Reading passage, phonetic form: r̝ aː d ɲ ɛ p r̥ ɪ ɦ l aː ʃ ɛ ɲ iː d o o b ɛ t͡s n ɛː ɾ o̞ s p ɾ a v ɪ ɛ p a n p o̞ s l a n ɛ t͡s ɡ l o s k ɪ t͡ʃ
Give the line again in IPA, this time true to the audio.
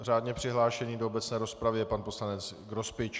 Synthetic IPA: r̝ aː d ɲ ɛ p r̥ ɪ ɦ l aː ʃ ɛ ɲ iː d o o b ɛ t͡s n ɛː ɾ o̞ s p ɾ a v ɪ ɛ p a n p o̞ s l a n ɛ t͡s ɡ ɾ o s p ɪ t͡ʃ